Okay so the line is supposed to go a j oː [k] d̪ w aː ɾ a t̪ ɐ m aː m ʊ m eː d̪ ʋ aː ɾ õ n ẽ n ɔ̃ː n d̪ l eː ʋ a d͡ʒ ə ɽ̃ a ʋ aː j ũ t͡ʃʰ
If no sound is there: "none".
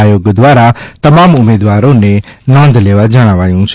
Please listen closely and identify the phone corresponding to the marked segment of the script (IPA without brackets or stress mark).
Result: ɡ